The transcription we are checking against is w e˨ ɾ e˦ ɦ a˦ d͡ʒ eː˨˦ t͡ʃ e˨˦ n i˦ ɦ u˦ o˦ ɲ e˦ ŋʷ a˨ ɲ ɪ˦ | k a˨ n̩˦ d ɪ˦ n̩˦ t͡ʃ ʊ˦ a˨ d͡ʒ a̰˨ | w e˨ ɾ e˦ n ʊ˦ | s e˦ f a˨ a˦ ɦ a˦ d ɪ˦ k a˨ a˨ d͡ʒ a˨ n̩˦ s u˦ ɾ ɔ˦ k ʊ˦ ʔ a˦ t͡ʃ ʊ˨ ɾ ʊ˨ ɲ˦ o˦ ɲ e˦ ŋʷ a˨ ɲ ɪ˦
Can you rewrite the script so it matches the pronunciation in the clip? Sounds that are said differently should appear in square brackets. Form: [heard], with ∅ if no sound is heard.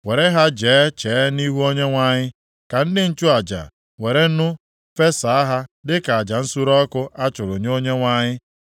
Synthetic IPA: w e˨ ɾ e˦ ɦ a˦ d͡ʒ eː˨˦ t͡ʃ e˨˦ n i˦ ɦ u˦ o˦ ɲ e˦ ŋʷ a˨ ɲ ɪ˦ | k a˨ n̩˦ d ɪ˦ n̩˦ t͡ʃ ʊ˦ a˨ d͡ʒ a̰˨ | w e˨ ɾ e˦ n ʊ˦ | [f] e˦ [s] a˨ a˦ ɦ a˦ d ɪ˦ k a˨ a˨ d͡ʒ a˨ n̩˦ s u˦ ɾ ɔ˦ k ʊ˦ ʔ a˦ t͡ʃ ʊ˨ ɾ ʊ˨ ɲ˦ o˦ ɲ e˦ ŋʷ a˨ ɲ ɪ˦